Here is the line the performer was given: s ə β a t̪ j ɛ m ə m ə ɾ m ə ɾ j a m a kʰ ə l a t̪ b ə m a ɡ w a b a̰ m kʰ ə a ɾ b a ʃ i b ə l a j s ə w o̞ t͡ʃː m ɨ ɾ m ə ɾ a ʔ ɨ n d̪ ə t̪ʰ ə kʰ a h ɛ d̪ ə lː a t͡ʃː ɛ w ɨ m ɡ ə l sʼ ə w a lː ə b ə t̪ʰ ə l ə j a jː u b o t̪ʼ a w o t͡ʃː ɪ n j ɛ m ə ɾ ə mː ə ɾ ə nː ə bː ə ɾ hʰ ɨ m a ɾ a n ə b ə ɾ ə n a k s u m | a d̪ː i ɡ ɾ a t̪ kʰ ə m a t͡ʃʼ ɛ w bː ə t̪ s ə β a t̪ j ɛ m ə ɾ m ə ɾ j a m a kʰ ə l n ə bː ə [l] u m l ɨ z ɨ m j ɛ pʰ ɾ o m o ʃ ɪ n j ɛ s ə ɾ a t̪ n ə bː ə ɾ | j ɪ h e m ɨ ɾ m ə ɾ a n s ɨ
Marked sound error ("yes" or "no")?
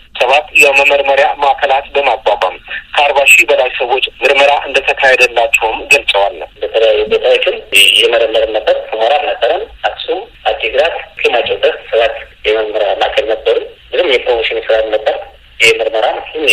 yes